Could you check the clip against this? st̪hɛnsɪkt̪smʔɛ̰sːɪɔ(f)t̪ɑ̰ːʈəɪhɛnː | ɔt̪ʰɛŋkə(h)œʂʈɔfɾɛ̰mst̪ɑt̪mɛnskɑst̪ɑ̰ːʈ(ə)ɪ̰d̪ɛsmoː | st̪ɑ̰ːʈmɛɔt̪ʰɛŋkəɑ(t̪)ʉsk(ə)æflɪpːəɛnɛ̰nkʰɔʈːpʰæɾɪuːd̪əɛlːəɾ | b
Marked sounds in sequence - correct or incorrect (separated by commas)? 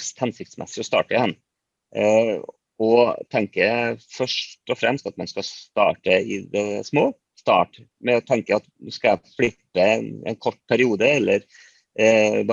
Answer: incorrect, incorrect, correct, correct, incorrect